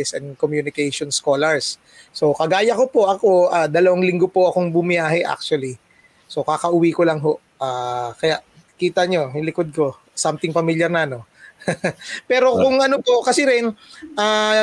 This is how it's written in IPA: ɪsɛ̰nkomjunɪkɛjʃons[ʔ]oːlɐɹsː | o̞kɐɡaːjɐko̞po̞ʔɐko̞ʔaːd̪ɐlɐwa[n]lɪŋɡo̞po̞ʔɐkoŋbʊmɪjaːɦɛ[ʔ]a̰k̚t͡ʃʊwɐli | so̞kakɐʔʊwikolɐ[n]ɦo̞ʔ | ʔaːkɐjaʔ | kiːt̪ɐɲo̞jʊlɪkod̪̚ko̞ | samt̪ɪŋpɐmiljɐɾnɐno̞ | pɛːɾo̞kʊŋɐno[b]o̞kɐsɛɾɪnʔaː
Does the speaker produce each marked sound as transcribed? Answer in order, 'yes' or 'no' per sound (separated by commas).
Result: no, no, yes, no, no